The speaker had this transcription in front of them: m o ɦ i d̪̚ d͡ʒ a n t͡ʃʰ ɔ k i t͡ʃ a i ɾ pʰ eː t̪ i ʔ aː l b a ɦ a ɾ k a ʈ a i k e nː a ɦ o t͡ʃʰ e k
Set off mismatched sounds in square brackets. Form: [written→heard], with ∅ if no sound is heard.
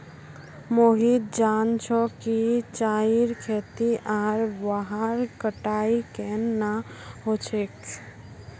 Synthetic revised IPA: m o ɦ i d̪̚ d͡ʒ a n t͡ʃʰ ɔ k i t͡ʃ a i ɾ [pʰ→kʰ] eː t̪ i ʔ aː [l→ɾ] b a ɦ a ɾ k [a→ə] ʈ a i k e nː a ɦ o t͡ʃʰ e k